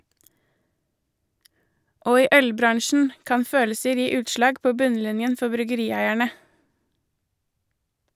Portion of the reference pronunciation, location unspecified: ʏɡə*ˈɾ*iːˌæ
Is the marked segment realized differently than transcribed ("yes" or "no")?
no